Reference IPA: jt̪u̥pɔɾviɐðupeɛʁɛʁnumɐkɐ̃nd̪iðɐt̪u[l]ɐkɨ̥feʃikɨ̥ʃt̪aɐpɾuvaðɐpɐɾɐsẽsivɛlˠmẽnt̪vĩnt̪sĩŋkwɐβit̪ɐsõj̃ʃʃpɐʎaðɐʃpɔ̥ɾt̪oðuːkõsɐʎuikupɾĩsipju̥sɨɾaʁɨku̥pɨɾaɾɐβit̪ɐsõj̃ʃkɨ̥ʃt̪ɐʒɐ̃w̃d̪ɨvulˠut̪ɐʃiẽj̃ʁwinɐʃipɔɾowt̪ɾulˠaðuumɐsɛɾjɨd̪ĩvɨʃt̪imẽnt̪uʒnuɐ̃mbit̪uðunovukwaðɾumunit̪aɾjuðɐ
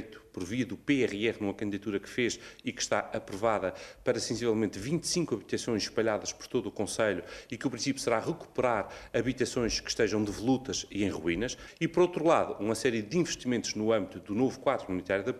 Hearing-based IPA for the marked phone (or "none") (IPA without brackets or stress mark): ɾ